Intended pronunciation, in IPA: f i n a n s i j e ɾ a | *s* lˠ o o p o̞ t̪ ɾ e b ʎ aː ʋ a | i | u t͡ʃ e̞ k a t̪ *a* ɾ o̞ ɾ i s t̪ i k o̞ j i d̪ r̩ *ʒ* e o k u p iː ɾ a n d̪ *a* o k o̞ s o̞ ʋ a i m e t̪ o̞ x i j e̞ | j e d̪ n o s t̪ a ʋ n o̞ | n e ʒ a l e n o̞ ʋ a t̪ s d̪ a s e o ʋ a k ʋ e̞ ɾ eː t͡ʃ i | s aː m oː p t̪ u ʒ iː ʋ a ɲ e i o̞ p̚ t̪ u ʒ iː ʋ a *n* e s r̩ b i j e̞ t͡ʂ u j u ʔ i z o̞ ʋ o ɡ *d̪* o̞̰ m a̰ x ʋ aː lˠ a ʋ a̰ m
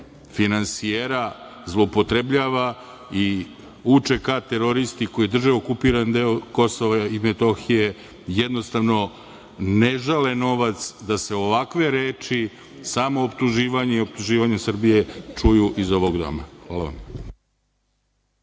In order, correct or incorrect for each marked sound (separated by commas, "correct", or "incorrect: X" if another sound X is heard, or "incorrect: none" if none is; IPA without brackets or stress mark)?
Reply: incorrect: z, incorrect: e, correct, incorrect: e, incorrect: ɲ, correct